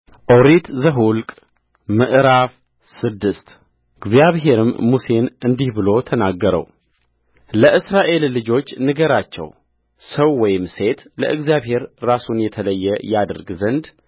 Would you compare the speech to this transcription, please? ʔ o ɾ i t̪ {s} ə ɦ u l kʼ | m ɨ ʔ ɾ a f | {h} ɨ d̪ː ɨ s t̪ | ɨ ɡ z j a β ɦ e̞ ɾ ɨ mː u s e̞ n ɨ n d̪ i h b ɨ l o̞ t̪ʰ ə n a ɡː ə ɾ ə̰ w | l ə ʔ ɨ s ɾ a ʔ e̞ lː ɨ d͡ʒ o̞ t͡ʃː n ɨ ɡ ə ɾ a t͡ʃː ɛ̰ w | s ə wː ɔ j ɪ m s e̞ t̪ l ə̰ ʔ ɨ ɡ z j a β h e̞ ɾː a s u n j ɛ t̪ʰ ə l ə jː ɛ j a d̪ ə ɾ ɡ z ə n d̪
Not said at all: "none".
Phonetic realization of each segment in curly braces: z, s

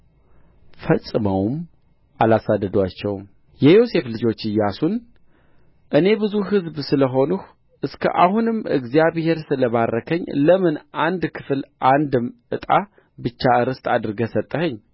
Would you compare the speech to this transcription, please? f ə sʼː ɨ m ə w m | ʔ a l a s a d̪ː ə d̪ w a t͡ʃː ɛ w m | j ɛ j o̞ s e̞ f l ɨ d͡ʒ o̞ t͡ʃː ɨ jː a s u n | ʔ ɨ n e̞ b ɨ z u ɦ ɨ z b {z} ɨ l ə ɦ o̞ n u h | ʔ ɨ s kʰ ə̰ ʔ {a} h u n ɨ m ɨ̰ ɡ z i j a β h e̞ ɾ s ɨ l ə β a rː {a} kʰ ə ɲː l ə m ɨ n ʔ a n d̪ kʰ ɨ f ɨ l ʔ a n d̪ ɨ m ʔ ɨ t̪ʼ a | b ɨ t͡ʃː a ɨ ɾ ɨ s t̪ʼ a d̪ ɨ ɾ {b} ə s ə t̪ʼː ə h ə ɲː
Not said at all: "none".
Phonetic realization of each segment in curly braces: s, a, ə, ɡ

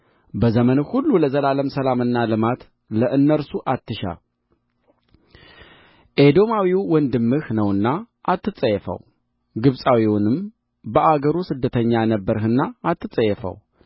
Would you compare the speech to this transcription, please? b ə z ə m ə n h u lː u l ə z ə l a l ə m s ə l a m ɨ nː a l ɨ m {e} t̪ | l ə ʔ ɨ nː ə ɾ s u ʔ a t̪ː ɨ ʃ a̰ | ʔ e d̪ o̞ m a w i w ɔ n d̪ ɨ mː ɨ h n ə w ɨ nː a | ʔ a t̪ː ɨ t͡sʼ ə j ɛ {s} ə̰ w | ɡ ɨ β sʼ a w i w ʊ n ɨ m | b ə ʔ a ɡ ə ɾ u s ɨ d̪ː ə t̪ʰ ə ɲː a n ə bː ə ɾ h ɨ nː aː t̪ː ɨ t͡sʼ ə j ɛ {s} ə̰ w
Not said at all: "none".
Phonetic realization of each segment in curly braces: a, f, f

